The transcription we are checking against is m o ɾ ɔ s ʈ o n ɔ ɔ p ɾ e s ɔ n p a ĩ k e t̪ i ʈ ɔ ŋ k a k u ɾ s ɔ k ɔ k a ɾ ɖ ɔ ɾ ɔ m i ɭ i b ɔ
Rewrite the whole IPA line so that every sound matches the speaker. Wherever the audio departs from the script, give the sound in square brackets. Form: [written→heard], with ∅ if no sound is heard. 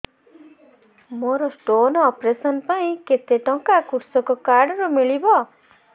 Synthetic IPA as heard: m o ɾ ɔ s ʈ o n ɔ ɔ p ɾ e s ɔ n p a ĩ k e t̪ [i→e] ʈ ɔ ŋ k a k u ɾ s ɔ k ɔ k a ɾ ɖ ɔ ɾ ɔ m i ɭ i b ɔ